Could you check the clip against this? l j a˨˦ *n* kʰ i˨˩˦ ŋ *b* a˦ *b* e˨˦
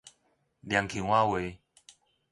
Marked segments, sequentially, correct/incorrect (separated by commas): incorrect, incorrect, incorrect